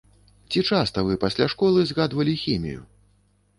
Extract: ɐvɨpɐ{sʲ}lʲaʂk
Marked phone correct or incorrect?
correct